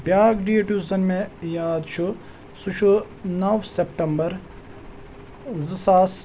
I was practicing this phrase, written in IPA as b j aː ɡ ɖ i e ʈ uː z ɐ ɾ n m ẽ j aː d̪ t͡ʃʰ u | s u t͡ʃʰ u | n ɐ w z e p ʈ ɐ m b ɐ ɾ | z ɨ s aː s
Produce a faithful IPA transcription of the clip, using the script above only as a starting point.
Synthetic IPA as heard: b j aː ɡ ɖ i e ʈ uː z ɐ n m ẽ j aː d̪ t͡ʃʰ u | s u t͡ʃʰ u | n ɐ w s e p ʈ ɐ m b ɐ ɾ | z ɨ s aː s